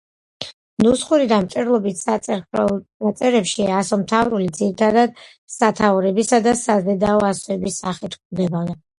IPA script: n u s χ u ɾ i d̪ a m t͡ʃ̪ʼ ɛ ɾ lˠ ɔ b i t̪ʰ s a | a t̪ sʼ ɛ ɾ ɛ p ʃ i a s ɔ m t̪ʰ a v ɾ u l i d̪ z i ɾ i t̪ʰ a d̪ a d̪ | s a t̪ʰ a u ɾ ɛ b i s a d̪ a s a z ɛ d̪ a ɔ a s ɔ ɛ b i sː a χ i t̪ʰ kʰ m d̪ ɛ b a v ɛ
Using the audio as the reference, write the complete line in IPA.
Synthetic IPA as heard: n u s χ u ɾ i d̪ a m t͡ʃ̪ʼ ɛ ɾ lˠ ɔ b i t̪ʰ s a | a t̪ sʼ ɛ ɾ ɛ p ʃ i a s ɔ m t̪ʰ a v ɾ u l i d̪ z i ɾ i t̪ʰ a d̪ a d̪ | s a t̪ʰ a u ɾ ɛ b i s a d̪ a s a z ɛ d̪ a ɔ a s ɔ ɛ b i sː a χ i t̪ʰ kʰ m d̪ ɛ b a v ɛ

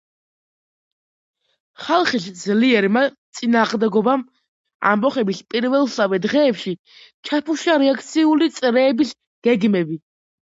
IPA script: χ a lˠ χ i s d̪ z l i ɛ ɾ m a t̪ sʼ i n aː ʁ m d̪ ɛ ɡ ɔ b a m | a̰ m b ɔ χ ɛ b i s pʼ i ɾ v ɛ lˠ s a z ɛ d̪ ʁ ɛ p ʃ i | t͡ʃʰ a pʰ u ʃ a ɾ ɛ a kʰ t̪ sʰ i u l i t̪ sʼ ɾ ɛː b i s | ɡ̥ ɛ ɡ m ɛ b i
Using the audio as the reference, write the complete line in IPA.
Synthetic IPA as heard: χ a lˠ χ i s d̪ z l i ɛ ɾ m a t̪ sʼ i n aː ʁ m d̪ ɛ ɡ ɔ b a m | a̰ m b ɔ χ ɛ b i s pʼ i ɾ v ɛ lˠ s a v ɛ d̪ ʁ ɛː p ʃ i | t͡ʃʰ a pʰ u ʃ a ɾ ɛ a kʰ t̪ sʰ i u l i t̪ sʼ ɾ ɛː b i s | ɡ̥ ɛ ɡ m ɛ b i

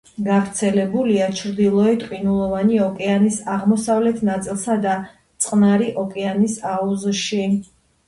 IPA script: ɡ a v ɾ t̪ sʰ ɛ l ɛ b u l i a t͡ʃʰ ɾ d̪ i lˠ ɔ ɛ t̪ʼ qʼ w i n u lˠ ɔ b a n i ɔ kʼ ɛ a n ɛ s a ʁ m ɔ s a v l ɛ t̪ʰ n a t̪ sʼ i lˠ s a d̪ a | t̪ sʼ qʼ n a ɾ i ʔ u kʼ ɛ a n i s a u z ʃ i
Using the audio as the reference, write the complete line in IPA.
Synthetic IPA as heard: ɡ a v ɾ t̪ sʰ ɛ l ɛ b u l i a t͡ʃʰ ɾ d̪ i lˠ ɔ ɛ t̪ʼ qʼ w i n u lˠ ɔ v a n i ɔ kʼ ɛ a n i s a ʁ m ɔ s a v l ɛ t̪ʰ n a t̪ sʼ i lˠ s a d̪ a | t̪ sʼ qʼ n a ɾ i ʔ ɔ kʼ ɛ a n i s a u z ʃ i

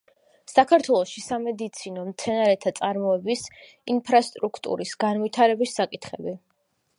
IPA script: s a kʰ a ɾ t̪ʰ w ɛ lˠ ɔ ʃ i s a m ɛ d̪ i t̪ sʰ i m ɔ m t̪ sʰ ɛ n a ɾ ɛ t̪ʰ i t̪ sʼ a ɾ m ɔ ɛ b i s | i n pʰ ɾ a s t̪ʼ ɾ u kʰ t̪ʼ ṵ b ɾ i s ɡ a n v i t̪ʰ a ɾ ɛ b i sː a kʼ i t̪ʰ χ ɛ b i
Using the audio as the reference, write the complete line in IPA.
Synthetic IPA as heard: s a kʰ a ɾ t̪ʰ w ɛ lˠ ɔ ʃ i s a m ɛ d̪ i t̪ sʰ i n ɔ m t̪ sʰ ɛ n a ɾ ɛ t̪ʰ a t̪ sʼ a ɾ m ɔ ɛ b i s | i n pʰ ɾ a s t̪ʼ ɾ u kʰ t̪ʼ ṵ ɾ i s ɡ a n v i t̪ʰ a ɾ ɛ b i sː a kʼ i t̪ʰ χ ɛ b i

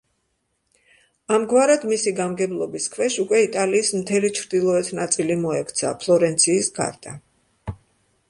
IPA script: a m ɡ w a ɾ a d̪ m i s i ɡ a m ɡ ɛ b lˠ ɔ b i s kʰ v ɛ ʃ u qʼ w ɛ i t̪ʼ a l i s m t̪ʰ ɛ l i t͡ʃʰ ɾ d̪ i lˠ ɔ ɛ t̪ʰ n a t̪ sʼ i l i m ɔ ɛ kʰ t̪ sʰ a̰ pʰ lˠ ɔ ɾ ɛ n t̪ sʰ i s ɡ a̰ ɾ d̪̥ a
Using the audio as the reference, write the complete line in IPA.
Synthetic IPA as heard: a m ɡ w a ɾ a d̪ m i s i ɡ a m ɡ ɛ b lˠ ɔ b i s kʰ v ɛ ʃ u kʼ w ɛ i t̪ʼ a l iː s m t̪ʰ ɛ l i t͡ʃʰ ɾ d̪ i lˠ ɔ ɛ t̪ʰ n a t̪ sʼ i l i m ɔ ɛ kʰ t̪ sʰ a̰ pʰ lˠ ɔ ɾ ɛ n t̪ sʰ iː s ɡ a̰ ɾ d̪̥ a

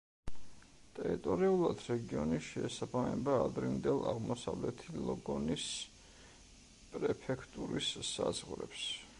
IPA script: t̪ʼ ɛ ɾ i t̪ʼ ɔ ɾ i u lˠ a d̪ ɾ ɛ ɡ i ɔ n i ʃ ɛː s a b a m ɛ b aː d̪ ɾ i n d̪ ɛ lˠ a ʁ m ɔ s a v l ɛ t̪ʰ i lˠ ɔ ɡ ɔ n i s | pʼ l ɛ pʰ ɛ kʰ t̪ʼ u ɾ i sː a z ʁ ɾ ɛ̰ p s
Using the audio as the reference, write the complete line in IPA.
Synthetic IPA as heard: t̪ʼ ɛ ɾ i t̪ʼ ɔ ɾ i u lˠ a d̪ ɾ ɛ ɡ i ɔ n i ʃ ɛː s a b a m ɛ b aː d̪ ɾ i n d̪ ɛ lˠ a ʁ m ɔ s a v l ɛ t̪ʰ i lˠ ɔ ɡ ɔ n i s | pʼ ɾ ɛ pʰ ɛ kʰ t̪ʼ u ɾ i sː a z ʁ ɾ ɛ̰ p s

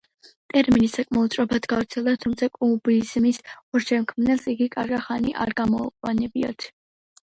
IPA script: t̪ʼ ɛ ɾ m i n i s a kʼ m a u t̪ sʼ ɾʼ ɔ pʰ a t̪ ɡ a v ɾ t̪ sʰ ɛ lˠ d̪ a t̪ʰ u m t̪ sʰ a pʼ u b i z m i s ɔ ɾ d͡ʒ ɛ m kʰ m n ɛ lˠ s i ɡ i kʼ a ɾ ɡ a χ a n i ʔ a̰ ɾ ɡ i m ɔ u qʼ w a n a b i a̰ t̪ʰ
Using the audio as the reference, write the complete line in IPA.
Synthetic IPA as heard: t̪ʼ ɛ ɾ m i n i s a kʼ m a u t̪ sʼ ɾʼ ɔ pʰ a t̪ ɡ a v ɾ t̪ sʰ ɛ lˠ d̪ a t̪ʰ u m t̪ sʰ a kʼ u b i z m i s ɔ ɾ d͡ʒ ɛ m kʰ m n ɛ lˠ s i ɡ i kʼ a ɾ ɡ a χ a n i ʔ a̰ ɾ ɡ a m ɔ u qʼ w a n ɛ b i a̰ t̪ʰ

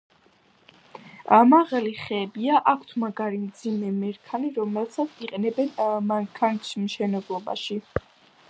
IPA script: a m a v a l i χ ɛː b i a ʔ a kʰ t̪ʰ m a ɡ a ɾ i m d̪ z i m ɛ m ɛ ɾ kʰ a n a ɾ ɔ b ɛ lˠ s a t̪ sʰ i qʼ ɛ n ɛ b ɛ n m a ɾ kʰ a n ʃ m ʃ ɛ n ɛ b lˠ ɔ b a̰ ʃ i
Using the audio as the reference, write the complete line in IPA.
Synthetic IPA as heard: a m a ʁ a l i χ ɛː b i a ʔ a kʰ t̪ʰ m a ɡ a ɾ i m d̪ z i m ɛ m ɛ ɾ kʰ a n i ɾ ɔ m ɛ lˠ s a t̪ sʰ i qʼ ɛ n ɛ b ɛ n m a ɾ kʰ a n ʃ m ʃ ɛ n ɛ b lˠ ɔ b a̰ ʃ i

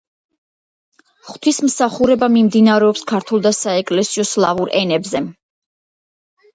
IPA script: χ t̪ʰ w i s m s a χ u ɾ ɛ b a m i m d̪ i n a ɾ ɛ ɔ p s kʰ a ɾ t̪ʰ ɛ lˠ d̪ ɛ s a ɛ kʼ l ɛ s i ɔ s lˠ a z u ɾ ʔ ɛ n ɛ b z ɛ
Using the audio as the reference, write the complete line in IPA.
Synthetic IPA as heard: χ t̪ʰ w i s m s a χ u ɾ ɛ b a m i m d̪ i n a ɾ ɛ ɔ p s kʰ a ɾ t̪ʰ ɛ lˠ d̪ a s a ɛ kʼ l ɛ s i ɔ s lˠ a v u ɾ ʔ ɛ n ɛ b z ɛ

